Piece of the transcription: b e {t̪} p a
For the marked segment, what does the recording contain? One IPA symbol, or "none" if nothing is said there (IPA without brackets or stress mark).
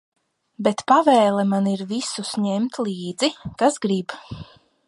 t̪